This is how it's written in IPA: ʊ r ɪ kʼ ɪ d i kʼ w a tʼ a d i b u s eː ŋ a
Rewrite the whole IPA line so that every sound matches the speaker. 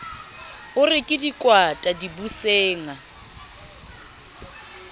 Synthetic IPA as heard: ʊ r ɪ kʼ ɪ d i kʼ w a tʼ a d i b u s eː ŋ a